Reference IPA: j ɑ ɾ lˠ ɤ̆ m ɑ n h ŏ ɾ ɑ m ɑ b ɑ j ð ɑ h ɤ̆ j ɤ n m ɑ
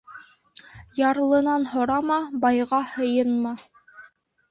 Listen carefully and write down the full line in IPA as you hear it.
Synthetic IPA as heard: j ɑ ɾ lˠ ɤ̆ n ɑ n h ŏ ɾ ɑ m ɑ b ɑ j ʁ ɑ h ɤ̆ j ɤ n m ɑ